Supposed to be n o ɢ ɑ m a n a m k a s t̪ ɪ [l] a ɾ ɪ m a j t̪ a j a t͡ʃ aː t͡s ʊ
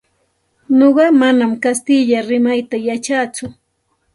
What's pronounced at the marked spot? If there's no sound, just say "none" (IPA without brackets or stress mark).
ʎ